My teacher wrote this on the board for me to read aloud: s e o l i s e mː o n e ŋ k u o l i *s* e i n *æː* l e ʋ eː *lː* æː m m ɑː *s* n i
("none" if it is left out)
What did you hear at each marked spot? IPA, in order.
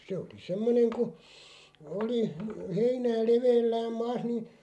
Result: h, æː, lː, s

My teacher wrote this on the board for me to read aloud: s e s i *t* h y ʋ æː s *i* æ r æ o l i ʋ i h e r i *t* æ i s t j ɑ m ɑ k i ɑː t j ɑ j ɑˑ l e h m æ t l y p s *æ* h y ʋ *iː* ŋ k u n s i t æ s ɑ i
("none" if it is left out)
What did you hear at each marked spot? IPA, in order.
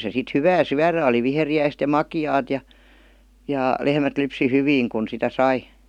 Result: t, y, none, i, iː

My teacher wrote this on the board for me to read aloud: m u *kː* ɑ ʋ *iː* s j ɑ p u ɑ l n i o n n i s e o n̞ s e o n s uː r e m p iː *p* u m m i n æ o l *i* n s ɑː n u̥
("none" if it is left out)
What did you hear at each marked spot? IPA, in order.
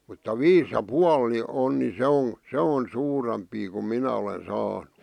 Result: tː, iː, k, e

